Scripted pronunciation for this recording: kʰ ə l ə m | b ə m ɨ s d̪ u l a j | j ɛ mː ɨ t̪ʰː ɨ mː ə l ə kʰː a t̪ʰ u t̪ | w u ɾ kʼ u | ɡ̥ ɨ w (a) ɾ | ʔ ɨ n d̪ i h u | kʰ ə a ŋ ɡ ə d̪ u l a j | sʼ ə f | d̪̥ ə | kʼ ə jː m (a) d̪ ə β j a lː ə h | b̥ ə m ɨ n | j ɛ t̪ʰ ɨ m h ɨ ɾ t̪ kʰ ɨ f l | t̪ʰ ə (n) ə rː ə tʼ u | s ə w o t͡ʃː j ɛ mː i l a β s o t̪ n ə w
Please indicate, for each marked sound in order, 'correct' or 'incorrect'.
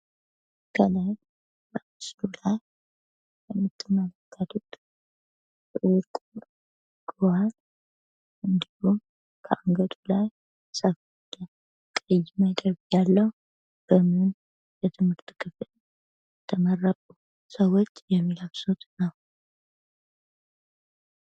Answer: correct, incorrect, incorrect

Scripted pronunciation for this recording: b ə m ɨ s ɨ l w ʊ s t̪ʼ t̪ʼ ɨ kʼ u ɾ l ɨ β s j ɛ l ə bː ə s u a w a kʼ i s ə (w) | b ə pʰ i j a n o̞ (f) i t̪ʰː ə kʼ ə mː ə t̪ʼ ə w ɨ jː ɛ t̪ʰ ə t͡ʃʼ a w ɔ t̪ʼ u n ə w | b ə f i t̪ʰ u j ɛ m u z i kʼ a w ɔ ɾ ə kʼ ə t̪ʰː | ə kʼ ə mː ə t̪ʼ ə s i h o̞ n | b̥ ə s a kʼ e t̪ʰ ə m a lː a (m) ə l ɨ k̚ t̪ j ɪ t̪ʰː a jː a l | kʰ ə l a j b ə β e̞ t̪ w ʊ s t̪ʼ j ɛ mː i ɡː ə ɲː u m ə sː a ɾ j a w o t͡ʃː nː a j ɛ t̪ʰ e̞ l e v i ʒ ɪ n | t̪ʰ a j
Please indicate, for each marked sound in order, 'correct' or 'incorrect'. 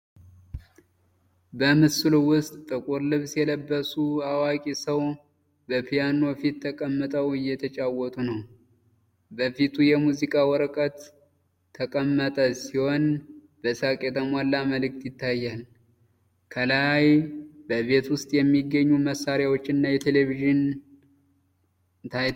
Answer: correct, correct, correct

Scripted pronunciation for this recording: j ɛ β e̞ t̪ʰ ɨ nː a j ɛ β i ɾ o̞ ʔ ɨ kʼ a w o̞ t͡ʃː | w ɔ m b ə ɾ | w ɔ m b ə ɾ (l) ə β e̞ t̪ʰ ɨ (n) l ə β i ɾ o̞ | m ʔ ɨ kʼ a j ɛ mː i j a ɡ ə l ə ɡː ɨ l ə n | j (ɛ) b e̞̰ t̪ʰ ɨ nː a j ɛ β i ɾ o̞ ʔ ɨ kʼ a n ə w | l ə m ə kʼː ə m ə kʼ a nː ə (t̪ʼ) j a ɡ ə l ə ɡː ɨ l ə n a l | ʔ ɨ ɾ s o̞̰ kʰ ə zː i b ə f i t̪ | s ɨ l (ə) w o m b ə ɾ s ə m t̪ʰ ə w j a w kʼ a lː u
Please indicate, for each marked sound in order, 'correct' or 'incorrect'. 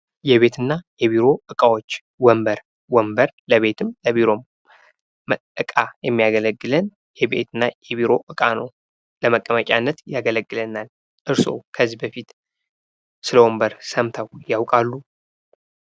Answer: correct, incorrect, correct, incorrect, correct

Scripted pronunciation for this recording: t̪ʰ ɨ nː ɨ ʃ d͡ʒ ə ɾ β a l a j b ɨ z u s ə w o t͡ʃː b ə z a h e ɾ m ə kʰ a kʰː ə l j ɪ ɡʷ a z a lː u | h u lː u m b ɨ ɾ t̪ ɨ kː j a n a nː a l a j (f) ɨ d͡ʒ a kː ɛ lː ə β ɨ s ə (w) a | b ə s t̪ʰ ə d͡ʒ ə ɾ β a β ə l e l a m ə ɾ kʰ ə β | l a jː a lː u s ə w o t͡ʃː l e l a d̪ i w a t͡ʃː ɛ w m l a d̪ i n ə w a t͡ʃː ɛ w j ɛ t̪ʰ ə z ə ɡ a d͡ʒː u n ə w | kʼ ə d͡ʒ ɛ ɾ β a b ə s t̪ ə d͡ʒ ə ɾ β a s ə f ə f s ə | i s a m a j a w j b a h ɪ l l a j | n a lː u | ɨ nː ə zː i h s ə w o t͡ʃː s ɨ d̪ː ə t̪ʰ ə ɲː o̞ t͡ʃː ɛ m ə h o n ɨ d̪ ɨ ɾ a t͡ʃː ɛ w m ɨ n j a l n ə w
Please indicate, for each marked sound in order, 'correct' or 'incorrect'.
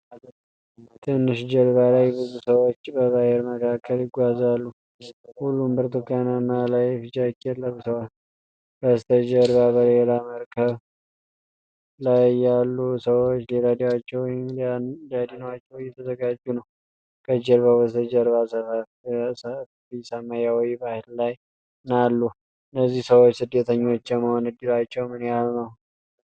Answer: correct, correct

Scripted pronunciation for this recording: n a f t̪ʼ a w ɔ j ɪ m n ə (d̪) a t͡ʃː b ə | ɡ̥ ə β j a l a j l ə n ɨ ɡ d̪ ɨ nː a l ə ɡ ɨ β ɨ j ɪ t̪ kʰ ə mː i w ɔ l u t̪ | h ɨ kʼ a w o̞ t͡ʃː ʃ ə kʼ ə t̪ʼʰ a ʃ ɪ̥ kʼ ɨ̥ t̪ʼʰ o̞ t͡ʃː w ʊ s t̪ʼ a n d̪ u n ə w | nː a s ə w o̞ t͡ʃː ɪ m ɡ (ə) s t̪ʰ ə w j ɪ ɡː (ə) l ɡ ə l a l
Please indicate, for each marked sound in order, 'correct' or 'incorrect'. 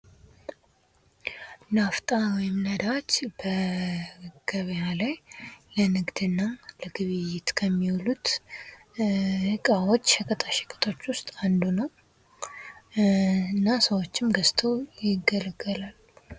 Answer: correct, correct, correct

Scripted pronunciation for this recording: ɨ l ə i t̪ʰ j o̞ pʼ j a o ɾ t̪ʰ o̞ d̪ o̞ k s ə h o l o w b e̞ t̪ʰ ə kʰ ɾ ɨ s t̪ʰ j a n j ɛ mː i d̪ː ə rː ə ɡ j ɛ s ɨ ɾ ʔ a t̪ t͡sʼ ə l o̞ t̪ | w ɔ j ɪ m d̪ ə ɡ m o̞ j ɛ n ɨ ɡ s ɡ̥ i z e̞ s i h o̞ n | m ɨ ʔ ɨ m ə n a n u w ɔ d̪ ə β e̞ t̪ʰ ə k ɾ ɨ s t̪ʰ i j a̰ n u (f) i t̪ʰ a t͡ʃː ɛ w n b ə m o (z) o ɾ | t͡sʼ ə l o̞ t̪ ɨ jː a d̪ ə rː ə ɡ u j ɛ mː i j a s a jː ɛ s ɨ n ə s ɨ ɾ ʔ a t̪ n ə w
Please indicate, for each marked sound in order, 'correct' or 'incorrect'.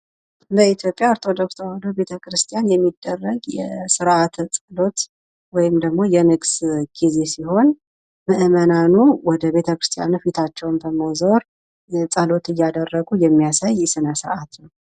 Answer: correct, correct

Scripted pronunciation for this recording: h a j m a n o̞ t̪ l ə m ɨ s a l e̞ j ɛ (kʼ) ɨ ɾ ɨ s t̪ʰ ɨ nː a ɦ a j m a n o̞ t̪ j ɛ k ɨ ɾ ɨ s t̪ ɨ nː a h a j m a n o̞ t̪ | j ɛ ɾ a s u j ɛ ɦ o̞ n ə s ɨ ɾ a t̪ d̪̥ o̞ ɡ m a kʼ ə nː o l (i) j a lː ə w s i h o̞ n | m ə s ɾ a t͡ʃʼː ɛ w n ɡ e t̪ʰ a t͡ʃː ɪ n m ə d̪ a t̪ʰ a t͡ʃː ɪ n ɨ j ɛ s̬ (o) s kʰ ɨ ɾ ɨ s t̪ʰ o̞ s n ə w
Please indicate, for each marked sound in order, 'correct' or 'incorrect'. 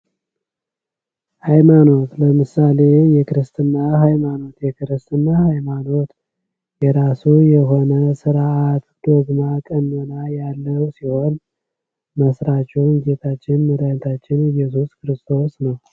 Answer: incorrect, incorrect, incorrect

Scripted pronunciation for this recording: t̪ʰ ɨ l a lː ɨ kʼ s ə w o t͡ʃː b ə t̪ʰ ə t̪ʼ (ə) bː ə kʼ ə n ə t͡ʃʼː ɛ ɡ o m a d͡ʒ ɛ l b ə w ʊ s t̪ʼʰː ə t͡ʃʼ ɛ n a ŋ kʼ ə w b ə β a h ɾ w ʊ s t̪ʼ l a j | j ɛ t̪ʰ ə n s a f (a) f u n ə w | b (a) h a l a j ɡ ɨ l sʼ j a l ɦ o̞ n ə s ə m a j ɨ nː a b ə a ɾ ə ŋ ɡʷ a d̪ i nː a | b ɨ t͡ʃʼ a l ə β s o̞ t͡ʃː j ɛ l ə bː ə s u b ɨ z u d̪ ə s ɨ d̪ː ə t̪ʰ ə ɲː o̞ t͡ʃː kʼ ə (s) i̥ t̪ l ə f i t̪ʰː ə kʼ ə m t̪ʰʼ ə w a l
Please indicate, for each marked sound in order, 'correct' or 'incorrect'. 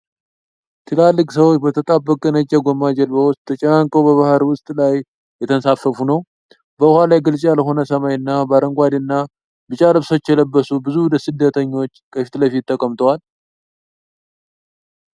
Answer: incorrect, incorrect, incorrect, incorrect

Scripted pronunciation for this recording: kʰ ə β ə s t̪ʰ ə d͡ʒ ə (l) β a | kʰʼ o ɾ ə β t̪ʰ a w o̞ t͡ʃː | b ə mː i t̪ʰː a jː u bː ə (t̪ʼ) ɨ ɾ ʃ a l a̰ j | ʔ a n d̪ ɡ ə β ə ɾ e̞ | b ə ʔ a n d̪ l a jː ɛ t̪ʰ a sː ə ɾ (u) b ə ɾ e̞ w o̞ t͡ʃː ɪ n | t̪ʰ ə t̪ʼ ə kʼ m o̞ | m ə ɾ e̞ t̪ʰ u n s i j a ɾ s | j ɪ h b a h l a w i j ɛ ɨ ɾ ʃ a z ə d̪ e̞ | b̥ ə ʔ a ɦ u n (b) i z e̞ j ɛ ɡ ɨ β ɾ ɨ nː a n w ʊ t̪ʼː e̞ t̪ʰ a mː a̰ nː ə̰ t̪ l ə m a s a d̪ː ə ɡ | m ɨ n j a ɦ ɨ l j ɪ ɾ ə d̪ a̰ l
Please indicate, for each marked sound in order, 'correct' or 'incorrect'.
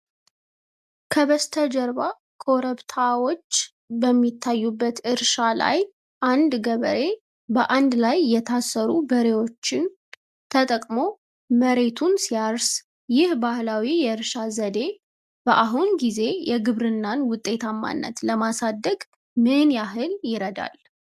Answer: incorrect, incorrect, correct, incorrect

